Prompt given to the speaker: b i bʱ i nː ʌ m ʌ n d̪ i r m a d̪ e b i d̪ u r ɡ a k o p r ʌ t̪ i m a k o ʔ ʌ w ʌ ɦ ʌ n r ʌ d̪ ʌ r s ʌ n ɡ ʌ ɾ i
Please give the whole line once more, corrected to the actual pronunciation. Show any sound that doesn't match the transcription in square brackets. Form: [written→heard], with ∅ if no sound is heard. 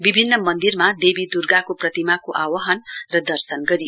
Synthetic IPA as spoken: b i bʱ i nː ʌ m ʌ n d̪ i r m a d̪ e b i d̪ u r ɡ a k o p r ʌ t̪ i m a k o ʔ [ʌ→a] w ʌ ɦ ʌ n r ʌ d̪ ʌ r s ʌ n ɡ ʌ ɾ i